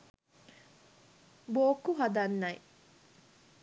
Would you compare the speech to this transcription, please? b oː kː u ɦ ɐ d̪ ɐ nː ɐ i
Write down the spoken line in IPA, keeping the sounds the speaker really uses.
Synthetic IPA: b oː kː u ɦ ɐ d̪ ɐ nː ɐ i